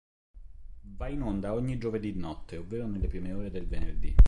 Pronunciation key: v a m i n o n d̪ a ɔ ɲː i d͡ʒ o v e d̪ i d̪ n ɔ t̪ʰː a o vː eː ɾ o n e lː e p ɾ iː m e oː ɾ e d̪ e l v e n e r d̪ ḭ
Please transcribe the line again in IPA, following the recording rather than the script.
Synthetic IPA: v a i n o n d̪ a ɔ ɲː i d͡ʒ o v e d̪ i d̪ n ɔ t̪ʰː e o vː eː ɾ o n e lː e p ɾ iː m e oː ɾ e d̪ e l v e n e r d̪ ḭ